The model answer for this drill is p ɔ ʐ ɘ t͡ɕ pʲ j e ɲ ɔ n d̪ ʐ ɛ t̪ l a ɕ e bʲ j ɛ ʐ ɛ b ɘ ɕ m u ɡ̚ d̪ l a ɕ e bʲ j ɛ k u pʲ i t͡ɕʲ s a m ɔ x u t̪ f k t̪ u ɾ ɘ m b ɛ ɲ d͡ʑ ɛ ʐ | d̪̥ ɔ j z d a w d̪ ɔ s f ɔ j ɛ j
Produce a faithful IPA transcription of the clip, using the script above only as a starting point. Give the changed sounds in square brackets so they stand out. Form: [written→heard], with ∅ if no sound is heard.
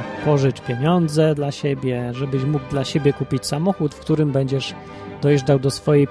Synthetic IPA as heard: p ɔ ʐ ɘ t͡ɕ pʲ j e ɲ ɔ n d̪ [ʐ→z] ɛ [t̪→d̪] l a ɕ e bʲ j ɛ ʐ ɛ b ɘ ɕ m u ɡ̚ d̪ l a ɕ e bʲ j ɛ k u pʲ i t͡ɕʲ s a m ɔ x u t̪ f k t̪ u ɾ ɘ m b ɛ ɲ d͡ʑ ɛ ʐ | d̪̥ ɔ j [z→ʐ] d a w d̪ ɔ s f ɔ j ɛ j